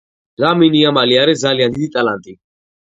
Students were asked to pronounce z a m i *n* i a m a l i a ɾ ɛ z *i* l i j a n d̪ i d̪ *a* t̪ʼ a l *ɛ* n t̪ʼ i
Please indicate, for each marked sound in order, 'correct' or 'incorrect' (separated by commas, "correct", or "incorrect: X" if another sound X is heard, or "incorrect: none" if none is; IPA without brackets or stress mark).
correct, incorrect: a, incorrect: i, incorrect: a